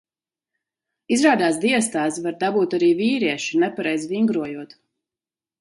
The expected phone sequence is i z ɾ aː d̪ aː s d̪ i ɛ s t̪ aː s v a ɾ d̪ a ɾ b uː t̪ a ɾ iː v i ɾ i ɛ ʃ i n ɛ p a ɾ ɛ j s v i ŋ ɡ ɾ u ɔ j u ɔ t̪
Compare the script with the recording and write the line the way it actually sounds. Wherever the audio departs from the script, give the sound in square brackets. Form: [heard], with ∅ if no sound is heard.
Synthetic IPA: i z ɾ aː d̪ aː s d̪ i ɛ s t̪ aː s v a ɾ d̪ a [∅] b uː t̪ a ɾ iː v [iː] ɾ i ɛ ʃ i n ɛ p a ɾ ɛ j [z] v i ŋ ɡ ɾ u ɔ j u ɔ t̪